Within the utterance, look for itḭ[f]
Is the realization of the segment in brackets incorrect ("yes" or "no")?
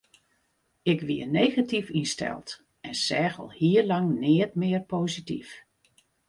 no